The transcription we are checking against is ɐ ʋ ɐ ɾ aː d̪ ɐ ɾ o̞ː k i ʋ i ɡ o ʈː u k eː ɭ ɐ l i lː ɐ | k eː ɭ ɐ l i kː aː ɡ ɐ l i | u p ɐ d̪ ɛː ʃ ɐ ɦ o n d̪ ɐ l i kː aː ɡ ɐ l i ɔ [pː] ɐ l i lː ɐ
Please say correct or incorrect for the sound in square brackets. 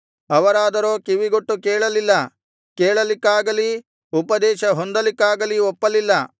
correct